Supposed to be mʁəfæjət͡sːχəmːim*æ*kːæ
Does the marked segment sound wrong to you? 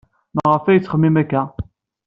no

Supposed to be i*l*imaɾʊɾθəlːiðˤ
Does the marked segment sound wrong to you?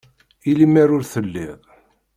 no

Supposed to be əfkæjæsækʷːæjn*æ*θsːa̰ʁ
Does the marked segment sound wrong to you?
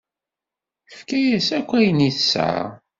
yes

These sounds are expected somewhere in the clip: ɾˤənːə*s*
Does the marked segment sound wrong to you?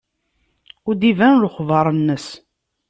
no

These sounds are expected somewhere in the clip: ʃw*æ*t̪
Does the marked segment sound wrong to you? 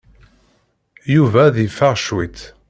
yes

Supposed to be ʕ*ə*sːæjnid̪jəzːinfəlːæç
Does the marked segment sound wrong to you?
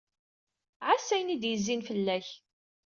yes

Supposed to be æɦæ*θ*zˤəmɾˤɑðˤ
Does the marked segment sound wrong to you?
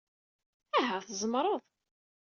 no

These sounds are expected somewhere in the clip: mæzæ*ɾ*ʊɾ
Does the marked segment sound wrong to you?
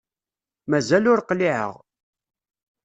yes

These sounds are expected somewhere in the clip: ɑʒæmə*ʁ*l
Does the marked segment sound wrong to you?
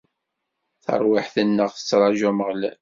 no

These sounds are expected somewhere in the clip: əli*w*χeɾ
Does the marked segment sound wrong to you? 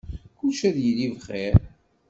yes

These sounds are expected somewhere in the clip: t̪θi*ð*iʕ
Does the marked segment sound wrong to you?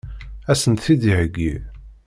no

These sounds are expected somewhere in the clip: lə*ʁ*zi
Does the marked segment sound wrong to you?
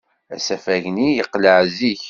yes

